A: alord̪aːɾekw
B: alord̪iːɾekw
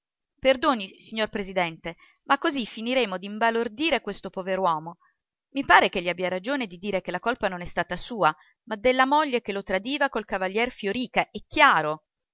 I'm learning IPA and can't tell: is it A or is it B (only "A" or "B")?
B